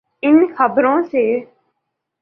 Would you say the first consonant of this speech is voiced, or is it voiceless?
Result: voiced